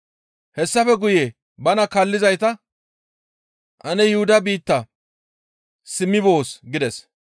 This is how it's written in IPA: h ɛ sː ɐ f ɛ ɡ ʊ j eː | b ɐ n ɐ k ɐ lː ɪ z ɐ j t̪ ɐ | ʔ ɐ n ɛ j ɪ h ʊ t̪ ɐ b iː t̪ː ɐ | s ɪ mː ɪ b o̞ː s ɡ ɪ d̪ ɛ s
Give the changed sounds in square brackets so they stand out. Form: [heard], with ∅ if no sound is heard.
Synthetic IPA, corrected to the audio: h ɛ sː ɐ f ɛ ɡ ʊ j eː | b ɐ n ɐ k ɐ lː ɪ z ɐ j t̪ ɐ | ʔ ɐ n ɛ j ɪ h ʊ [d̪] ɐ b iː t̪ː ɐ | s ɪ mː ɪ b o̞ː s ɡ ɪ d̪ ɛ s